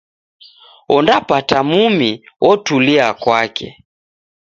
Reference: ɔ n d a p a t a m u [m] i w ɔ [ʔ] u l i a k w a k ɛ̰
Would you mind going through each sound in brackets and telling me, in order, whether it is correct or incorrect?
correct, incorrect

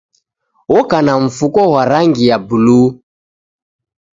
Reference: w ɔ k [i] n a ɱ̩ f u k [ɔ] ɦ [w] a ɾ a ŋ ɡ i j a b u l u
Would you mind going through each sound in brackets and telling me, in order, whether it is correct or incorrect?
incorrect, correct, correct

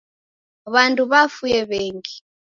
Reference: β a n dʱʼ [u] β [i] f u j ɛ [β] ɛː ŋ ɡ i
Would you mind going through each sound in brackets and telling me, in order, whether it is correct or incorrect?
correct, incorrect, correct

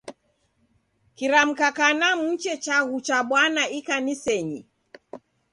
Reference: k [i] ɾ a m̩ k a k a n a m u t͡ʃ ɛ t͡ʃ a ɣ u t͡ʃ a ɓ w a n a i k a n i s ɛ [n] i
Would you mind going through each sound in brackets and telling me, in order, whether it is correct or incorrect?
correct, incorrect

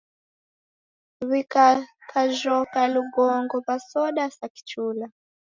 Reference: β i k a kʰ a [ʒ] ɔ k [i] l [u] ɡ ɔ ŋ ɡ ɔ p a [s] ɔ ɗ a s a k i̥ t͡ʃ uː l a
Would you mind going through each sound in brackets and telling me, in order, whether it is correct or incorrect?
correct, incorrect, correct, correct

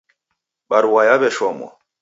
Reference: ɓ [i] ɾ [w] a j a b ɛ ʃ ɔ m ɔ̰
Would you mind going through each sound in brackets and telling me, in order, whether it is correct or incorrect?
incorrect, correct

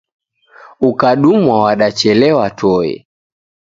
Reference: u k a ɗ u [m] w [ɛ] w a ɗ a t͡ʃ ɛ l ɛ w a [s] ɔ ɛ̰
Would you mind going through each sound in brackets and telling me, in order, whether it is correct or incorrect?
correct, incorrect, incorrect

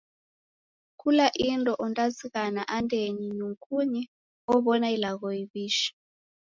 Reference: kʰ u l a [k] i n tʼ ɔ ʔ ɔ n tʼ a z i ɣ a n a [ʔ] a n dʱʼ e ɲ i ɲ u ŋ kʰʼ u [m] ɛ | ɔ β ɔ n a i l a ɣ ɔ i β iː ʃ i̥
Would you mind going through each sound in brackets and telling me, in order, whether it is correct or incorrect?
incorrect, correct, incorrect

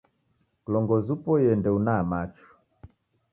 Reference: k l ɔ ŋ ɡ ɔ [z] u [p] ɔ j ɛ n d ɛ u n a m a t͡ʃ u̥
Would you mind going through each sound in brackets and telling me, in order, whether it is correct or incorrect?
correct, correct

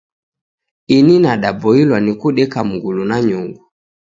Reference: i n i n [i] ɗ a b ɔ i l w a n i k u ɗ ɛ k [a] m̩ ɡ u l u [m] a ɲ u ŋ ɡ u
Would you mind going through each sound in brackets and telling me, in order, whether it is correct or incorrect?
incorrect, correct, incorrect

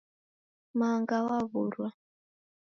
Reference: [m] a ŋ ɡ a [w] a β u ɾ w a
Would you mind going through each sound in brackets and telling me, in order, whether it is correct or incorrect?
correct, correct

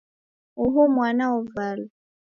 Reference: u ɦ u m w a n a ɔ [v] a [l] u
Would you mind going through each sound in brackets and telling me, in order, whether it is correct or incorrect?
correct, correct

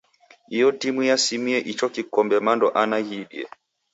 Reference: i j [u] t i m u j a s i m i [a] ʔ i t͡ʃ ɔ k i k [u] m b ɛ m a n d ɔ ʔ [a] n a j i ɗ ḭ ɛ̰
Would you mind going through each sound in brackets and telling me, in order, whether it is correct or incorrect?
incorrect, incorrect, incorrect, correct

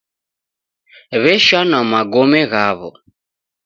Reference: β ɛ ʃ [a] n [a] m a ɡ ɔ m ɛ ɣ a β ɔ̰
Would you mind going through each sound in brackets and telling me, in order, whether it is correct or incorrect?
correct, correct

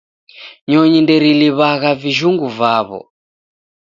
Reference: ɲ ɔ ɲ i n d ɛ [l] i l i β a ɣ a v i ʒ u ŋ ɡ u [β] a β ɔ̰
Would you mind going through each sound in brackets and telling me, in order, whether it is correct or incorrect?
incorrect, incorrect

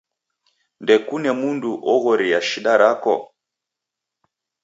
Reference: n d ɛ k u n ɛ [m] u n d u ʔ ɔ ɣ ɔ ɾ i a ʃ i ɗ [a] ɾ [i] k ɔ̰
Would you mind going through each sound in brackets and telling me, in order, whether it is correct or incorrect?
correct, correct, incorrect

